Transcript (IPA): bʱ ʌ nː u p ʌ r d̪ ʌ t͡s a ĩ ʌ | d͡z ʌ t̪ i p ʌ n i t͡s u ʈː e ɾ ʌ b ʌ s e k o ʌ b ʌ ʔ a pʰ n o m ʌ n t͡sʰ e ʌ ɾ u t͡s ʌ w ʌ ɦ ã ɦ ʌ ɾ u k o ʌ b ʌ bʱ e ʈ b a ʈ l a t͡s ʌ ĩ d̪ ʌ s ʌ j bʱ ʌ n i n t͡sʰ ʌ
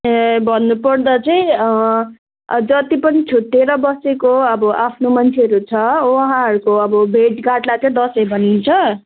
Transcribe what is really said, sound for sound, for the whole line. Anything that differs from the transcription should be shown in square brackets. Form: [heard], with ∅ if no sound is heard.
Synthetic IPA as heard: bʱ ʌ nː u p ʌ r d̪ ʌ t͡s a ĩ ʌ | d͡z ʌ t̪ i p ʌ n i [t͡sʰ] u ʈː e ɾ ʌ b ʌ s e k o ʌ b ʌ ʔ a pʰ n o m ʌ n t͡sʰ e ʌ ɾ u [t͡sʰ] ʌ w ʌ ɦ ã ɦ ʌ ɾ u k o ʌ b ʌ bʱ e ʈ [ɡ] a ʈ l a t͡s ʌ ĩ d̪ ʌ s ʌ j bʱ ʌ n i n t͡sʰ ʌ